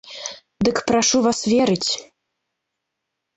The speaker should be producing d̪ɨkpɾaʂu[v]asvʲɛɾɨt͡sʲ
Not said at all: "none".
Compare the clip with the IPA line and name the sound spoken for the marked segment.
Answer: v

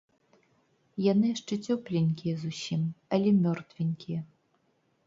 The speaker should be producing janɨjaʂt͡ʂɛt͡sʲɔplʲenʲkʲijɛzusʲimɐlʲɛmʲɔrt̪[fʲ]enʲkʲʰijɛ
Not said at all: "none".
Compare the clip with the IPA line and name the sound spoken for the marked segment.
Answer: vʲ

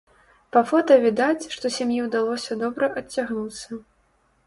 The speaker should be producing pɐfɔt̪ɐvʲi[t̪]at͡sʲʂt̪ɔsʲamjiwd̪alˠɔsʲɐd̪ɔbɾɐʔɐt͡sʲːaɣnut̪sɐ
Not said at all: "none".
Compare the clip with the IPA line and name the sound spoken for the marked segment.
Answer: d̪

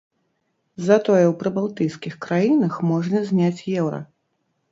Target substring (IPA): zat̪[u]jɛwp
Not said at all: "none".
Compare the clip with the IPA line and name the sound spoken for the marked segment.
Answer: ɔ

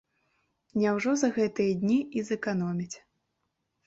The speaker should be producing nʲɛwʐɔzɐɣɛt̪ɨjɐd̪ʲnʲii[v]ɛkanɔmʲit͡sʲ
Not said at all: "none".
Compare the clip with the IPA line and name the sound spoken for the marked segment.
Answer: z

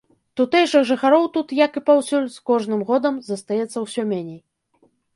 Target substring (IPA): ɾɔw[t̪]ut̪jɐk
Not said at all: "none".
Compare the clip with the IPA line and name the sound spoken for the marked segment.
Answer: t̪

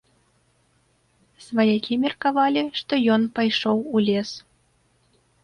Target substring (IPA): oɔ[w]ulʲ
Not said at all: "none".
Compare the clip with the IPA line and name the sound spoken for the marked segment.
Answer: w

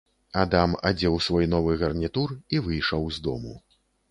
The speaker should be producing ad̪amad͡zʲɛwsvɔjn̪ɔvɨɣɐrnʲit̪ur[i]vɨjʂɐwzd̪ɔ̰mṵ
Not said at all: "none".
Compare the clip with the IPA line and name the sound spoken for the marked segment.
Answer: i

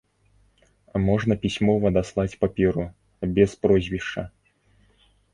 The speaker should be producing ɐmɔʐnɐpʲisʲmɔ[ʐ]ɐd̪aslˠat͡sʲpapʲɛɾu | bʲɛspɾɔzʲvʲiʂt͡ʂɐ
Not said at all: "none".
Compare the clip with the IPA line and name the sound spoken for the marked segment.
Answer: v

